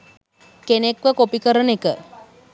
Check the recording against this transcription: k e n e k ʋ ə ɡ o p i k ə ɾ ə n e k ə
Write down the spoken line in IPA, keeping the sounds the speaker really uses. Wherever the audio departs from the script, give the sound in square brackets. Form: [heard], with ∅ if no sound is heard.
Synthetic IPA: k e n e k ʋ ə [k] o p i k ə ɾ ə n e k ə